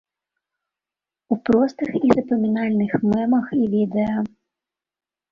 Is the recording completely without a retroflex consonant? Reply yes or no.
yes